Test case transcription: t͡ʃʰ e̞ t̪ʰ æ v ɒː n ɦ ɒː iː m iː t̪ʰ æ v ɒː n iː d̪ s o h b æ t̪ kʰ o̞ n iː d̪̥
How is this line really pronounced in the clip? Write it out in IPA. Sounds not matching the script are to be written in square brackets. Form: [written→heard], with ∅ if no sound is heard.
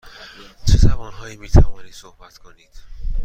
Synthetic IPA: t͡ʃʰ e̞ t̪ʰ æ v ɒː n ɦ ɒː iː m iː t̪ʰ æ v ɒː n iː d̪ s o h b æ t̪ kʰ o̞ n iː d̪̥